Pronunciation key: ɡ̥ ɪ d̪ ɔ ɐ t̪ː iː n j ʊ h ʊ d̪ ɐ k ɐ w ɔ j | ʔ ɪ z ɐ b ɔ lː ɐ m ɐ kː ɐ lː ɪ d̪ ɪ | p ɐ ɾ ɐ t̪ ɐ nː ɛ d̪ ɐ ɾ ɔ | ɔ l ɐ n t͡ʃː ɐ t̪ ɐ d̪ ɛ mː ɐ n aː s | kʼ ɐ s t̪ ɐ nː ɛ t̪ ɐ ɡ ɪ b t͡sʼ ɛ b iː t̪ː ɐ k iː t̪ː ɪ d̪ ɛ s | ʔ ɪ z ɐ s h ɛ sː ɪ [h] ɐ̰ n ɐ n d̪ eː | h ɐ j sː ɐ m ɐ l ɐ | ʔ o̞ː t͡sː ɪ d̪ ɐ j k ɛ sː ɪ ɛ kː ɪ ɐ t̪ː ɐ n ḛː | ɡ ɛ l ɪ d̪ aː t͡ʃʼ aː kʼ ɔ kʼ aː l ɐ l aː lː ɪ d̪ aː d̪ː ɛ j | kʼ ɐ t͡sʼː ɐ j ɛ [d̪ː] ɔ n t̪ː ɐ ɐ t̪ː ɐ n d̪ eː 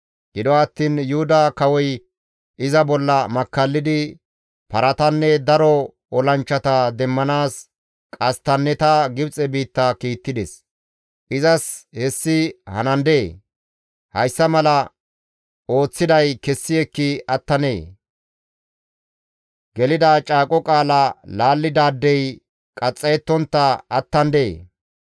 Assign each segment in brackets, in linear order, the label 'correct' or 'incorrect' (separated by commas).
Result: correct, incorrect